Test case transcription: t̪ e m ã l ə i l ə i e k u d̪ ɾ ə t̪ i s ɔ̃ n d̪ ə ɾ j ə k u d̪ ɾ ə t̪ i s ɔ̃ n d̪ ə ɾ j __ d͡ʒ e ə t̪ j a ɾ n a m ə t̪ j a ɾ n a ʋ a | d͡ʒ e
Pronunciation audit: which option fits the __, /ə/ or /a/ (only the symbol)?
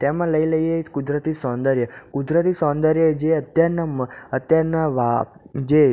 ə